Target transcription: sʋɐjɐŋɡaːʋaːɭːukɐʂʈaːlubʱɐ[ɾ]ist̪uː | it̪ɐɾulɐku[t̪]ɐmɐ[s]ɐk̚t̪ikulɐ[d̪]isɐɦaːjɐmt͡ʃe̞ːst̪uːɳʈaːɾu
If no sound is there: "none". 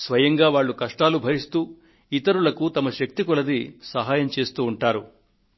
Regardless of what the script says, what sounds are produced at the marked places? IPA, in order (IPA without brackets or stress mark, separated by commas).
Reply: ɾ, t̪, ʃ, d̪